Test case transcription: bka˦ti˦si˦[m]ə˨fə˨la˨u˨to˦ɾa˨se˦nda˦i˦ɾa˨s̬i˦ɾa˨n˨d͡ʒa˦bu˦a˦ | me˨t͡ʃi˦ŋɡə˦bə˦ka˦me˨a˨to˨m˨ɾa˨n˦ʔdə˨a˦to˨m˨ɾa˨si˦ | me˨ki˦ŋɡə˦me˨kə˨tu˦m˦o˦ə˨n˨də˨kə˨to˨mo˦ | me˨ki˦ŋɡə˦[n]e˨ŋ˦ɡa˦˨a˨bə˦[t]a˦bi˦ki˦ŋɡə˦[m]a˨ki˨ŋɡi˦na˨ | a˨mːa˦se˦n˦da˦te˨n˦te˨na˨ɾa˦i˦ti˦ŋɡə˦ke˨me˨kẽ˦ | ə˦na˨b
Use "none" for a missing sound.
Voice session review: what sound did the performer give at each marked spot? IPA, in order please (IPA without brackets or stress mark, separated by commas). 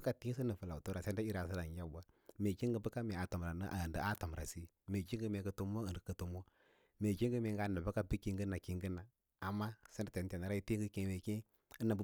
n, m, k, n